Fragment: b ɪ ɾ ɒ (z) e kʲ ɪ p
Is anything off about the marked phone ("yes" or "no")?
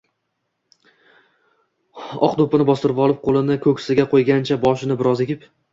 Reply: no